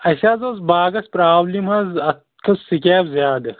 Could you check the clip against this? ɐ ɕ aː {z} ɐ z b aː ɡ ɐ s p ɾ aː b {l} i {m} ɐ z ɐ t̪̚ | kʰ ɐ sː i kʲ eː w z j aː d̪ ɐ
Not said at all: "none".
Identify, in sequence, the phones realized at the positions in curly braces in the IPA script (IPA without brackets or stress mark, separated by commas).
z, l, m